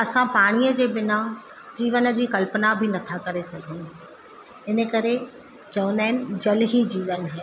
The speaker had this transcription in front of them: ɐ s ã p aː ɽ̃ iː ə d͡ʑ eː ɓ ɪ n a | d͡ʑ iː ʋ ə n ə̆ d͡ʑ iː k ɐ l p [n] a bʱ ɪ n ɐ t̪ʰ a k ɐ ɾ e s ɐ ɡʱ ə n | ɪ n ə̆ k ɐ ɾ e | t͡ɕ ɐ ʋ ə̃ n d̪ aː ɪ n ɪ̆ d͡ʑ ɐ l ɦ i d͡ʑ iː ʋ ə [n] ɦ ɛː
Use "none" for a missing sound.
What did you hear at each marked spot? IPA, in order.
n, n

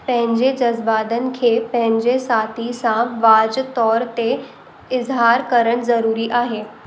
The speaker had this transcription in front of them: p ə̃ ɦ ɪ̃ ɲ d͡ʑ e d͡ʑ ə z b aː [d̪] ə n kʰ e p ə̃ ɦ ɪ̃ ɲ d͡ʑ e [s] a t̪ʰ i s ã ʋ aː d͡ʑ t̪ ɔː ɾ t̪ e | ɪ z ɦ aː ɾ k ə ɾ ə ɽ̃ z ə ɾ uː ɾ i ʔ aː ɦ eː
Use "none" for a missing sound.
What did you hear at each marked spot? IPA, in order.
d̪, s

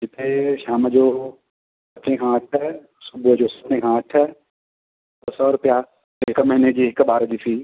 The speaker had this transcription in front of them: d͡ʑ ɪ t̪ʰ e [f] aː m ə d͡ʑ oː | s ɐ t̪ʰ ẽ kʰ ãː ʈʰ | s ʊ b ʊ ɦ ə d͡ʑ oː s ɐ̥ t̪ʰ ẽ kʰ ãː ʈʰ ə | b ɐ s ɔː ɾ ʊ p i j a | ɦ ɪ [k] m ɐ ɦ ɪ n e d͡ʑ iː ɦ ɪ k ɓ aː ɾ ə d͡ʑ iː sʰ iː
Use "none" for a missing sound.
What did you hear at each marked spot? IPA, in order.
ʃ, k

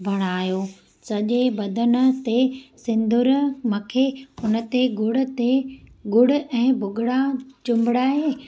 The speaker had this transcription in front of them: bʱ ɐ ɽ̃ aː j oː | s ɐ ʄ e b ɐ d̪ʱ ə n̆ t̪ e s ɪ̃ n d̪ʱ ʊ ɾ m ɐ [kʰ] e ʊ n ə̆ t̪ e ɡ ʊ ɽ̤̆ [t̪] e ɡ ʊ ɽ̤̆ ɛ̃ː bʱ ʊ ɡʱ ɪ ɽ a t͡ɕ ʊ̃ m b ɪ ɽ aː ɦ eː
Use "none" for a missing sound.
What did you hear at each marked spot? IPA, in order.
kʰ, t̪

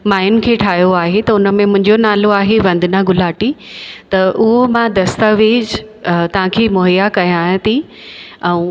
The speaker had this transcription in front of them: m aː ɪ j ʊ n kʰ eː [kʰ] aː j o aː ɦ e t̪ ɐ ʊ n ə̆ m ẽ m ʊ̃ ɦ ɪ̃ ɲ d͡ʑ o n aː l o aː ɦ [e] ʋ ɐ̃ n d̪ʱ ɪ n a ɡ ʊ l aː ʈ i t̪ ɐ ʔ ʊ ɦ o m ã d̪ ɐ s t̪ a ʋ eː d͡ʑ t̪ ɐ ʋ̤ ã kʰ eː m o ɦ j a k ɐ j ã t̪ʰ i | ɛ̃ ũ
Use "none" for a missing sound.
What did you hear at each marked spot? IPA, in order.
ʈʰ, e

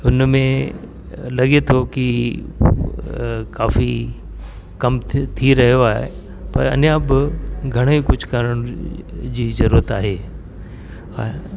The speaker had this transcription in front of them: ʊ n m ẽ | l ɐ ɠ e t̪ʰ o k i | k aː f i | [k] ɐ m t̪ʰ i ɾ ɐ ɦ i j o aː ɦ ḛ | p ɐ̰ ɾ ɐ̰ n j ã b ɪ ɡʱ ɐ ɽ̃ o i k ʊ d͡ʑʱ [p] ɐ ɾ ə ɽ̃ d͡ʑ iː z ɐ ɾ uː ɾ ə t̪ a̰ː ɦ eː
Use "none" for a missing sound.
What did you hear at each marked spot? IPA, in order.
k, k

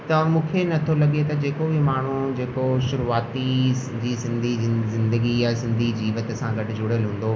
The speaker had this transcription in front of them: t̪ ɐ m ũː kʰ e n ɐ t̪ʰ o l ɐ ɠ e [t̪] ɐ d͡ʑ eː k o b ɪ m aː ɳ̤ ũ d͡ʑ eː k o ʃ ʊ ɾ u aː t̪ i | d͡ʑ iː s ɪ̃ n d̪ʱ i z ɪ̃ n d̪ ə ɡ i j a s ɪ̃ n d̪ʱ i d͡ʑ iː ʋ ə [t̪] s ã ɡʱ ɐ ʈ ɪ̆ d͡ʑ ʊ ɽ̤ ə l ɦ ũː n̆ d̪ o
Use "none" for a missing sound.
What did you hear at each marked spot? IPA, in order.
t̪, t̪

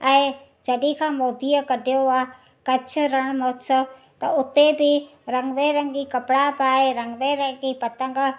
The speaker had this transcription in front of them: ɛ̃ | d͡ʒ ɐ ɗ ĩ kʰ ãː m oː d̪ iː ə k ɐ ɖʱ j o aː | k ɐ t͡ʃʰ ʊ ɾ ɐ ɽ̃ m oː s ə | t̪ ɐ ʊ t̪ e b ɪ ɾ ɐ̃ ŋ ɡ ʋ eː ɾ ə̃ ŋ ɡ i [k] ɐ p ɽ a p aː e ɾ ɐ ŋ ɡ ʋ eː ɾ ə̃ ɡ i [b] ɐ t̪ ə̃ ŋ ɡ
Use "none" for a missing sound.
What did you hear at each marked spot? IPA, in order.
k, p

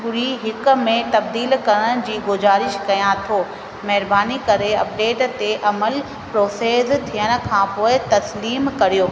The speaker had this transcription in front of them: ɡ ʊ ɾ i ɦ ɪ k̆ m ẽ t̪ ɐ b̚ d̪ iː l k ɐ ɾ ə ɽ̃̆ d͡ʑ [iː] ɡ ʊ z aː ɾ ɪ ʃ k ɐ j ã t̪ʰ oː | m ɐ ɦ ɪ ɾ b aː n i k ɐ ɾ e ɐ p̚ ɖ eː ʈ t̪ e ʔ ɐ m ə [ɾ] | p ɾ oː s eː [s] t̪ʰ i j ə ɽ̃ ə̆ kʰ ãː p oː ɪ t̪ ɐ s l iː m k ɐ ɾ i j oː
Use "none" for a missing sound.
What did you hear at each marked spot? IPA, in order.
iː, l, z

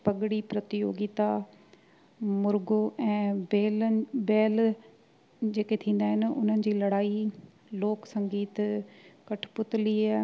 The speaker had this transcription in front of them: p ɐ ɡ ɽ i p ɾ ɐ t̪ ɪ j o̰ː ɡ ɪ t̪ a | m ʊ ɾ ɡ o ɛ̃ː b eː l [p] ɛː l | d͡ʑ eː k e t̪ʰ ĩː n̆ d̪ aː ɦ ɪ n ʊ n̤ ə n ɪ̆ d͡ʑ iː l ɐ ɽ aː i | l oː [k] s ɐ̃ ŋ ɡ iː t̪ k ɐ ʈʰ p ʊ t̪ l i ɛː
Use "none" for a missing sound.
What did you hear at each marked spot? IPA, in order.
b, k

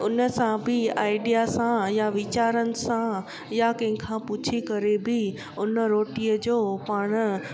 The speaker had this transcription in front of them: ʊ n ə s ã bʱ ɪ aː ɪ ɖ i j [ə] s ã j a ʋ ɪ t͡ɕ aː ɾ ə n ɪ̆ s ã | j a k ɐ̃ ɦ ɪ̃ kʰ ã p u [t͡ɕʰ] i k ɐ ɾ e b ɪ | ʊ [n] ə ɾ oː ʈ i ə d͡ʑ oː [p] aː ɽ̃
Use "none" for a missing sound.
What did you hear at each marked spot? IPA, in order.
a, t͡ɕʰ, n, p

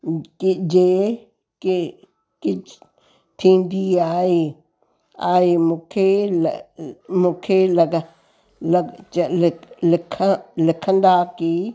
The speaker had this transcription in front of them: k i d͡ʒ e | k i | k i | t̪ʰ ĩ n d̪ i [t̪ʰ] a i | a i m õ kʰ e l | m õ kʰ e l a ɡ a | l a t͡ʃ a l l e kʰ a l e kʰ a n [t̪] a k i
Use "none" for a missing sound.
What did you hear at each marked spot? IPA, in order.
none, d̪

